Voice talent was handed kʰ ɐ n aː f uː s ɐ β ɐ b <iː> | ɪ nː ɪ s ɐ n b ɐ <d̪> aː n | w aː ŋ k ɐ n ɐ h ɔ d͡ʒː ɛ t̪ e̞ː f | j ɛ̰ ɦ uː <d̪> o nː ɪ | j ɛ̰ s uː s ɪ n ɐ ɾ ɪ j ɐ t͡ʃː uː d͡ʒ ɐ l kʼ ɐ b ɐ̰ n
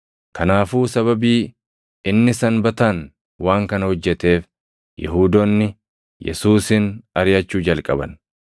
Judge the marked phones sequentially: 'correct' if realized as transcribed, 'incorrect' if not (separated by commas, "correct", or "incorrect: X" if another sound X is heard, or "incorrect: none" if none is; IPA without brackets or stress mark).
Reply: correct, incorrect: t̪, correct